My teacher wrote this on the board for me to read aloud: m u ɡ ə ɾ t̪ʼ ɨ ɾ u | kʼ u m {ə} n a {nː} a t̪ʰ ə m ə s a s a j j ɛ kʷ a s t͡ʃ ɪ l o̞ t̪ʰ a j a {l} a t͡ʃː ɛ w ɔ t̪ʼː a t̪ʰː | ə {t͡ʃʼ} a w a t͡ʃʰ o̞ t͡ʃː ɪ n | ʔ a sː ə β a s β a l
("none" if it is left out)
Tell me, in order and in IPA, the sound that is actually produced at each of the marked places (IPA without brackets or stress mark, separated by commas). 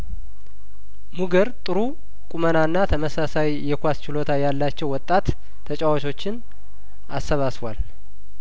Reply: ə, nː, lː, t͡ʃʼ